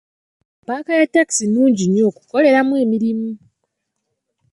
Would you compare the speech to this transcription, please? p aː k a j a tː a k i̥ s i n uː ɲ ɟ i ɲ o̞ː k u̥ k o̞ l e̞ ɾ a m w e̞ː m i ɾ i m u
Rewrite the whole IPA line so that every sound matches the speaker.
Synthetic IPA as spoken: p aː k a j a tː a k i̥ s i n uː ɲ ɟ i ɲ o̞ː k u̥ k o̞ l e̞ ɾ a m w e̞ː m i ɾ i m u